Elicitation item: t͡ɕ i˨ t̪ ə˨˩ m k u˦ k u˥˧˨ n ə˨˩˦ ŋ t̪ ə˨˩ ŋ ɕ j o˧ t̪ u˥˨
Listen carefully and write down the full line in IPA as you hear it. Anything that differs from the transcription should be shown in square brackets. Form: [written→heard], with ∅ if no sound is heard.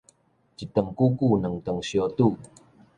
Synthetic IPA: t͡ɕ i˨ t̪ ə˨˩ [m→ŋ] k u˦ k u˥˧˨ n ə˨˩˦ ŋ t̪ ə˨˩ ŋ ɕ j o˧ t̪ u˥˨